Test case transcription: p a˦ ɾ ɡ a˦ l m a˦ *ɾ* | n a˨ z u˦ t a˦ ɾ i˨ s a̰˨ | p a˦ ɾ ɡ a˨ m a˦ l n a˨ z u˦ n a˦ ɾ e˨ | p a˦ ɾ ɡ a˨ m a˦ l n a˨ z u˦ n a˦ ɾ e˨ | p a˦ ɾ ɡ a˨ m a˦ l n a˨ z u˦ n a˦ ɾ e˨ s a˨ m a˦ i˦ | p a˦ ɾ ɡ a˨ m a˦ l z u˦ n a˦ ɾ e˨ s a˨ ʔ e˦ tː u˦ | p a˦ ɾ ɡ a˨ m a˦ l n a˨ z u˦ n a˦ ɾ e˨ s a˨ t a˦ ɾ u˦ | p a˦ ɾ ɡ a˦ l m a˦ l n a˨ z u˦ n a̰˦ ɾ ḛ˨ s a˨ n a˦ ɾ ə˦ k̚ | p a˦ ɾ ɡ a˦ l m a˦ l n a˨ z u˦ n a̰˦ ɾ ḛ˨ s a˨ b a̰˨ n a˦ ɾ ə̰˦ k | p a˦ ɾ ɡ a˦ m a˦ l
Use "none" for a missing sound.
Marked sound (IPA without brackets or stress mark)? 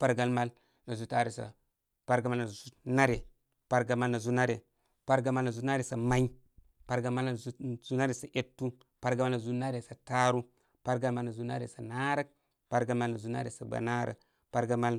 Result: l